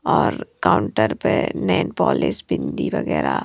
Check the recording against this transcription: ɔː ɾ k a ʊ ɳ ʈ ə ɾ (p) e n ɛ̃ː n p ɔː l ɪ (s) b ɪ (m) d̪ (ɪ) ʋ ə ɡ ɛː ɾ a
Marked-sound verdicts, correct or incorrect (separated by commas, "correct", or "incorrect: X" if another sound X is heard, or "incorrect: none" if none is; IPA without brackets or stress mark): correct, correct, incorrect: n, incorrect: i